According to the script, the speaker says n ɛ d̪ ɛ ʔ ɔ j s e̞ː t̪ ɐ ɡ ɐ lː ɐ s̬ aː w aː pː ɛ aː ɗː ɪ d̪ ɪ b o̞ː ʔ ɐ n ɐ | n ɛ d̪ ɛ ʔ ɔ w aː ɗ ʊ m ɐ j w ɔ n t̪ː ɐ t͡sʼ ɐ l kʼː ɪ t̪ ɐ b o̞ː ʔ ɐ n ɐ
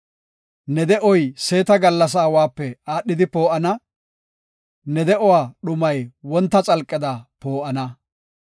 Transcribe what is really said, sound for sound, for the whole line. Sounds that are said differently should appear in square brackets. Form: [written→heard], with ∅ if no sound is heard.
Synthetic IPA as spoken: n ɛ d̪ ɛ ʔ ɔ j s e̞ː t̪ ɐ ɡ ɐ lː ɐ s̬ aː w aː pː ɛ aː ɗː ɪ d̪ ɪ [b→p] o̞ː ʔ ɐ n ɐ | n ɛ d̪ ɛ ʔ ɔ w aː ɗ ʊ m ɐ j w ɔ n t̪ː ɐ t͡sʼ ɐ l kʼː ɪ [t̪→d̪] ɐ [b→p] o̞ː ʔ ɐ n ɐ